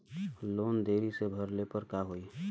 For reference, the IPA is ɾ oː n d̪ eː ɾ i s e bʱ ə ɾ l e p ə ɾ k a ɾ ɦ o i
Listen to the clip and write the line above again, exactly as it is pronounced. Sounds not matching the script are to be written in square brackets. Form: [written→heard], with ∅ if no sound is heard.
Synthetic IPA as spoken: [ɾ→l] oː n d̪ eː ɾ i s e bʱ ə ɾ l e p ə ɾ k a [ɾ→∅] ɦ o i